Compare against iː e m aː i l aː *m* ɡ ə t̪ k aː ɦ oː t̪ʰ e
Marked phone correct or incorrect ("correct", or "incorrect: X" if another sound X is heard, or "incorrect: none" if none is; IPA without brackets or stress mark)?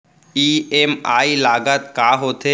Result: incorrect: none